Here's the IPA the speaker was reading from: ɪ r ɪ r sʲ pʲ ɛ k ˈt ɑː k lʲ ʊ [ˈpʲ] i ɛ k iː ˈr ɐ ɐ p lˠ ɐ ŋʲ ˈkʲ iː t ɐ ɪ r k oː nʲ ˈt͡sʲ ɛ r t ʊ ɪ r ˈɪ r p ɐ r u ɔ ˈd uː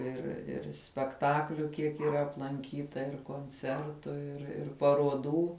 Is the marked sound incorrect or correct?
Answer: incorrect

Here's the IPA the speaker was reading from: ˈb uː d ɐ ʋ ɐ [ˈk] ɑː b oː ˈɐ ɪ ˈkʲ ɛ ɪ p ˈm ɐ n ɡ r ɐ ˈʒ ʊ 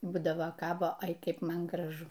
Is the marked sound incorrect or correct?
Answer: correct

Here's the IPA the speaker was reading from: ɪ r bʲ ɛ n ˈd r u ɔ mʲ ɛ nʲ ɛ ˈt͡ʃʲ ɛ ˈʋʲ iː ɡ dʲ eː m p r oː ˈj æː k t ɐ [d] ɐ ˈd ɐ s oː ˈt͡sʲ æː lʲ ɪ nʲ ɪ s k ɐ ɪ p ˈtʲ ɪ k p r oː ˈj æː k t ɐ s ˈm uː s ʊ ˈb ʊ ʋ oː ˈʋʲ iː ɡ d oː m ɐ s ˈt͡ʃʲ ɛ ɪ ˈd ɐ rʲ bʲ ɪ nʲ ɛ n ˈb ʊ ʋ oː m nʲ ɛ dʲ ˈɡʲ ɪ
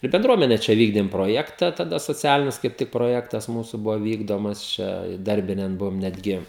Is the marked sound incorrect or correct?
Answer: incorrect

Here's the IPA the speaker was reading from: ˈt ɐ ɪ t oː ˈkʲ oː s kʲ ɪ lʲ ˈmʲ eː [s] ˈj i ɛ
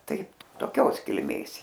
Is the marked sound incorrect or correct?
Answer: correct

